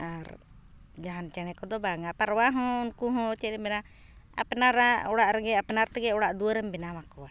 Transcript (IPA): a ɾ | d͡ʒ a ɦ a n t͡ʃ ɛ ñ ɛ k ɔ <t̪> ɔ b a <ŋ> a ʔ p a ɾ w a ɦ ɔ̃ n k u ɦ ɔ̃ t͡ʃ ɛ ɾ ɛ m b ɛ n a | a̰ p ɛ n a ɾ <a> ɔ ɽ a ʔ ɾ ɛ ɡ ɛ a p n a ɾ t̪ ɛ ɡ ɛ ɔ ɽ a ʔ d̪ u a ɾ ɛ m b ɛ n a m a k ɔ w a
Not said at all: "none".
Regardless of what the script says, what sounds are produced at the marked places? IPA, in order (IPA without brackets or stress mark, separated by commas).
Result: d̪, ŋ, a